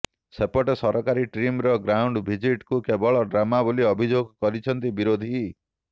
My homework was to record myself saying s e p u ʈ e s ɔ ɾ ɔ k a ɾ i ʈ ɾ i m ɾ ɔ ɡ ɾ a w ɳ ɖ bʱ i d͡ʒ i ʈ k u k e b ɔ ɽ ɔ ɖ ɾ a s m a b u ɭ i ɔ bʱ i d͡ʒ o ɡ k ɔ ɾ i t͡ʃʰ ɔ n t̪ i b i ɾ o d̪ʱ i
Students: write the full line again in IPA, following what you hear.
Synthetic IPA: s e p ɔ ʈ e s ɔ ɾ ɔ k a ɾ i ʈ ɾ i m ɾ ɔ ɡ ɾ a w ɳ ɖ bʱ i d͡ʒ i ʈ k u k e b ɔ ɭ ɔ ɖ ɾ a m a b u l i ɔ bʱ i d͡ʒ o ɡ k ɔ ɾ i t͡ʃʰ ɔ n t̪ i b i ɾ o d̪ʱ i